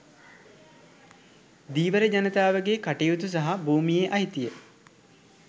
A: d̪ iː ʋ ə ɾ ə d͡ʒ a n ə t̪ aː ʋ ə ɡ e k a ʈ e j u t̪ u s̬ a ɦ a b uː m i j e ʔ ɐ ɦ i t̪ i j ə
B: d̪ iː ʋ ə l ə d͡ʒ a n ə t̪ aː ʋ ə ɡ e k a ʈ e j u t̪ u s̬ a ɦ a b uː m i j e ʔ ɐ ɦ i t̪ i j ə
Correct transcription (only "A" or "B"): A